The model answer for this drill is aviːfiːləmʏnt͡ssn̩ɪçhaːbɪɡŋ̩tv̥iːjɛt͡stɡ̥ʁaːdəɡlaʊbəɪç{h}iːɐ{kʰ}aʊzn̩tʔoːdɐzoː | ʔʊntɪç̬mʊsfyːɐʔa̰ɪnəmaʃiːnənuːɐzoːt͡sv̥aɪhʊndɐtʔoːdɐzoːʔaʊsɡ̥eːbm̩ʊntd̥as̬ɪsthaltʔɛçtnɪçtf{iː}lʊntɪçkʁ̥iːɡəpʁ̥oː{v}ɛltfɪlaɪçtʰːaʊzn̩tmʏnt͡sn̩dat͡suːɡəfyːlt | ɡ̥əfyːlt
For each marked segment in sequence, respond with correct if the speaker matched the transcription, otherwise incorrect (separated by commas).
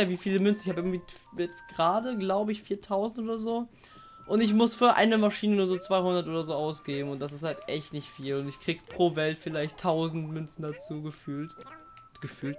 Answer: incorrect, incorrect, correct, correct